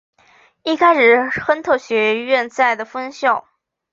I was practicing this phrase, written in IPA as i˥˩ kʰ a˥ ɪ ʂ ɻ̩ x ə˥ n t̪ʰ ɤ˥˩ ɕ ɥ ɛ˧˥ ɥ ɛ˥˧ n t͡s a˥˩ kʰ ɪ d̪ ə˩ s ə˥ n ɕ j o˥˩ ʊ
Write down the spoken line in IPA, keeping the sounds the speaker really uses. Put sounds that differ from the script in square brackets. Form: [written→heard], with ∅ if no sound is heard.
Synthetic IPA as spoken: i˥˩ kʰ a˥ ɪ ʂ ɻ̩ x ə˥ n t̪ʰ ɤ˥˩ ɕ ɥ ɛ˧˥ ɥ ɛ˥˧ n t͡s a˥˩ [kʰ→∅] ɪ d̪ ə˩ [s→f] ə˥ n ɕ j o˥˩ ʊ